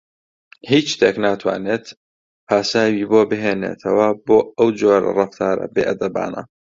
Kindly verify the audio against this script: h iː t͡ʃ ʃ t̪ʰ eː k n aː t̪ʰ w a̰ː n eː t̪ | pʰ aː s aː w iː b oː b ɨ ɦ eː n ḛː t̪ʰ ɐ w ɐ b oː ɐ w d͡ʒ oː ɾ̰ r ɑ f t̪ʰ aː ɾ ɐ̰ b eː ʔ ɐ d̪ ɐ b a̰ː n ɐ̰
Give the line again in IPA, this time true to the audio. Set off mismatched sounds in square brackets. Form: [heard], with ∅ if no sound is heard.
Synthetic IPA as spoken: h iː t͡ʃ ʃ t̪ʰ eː k n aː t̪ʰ w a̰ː n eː t̪ | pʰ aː s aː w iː b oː b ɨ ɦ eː n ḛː t̪ʰ ɐ w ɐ b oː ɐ w d͡ʒ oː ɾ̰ r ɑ f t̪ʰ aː ɾ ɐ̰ b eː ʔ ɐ d̪ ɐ b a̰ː n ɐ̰